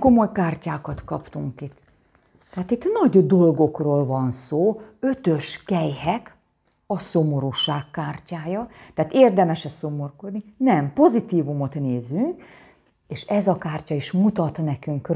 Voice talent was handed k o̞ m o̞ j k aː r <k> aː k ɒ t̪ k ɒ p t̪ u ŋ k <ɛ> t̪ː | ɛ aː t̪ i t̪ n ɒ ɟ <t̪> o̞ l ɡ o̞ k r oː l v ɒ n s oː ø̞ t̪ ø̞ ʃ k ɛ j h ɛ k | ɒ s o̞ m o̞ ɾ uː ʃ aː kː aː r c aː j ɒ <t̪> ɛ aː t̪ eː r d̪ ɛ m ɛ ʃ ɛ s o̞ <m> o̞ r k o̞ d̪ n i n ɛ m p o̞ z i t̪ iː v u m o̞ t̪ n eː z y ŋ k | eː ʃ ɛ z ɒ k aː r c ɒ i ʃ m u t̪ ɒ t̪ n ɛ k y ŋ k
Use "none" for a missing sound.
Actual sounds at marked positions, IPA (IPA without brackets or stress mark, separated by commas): c, i, d̪, t̪, m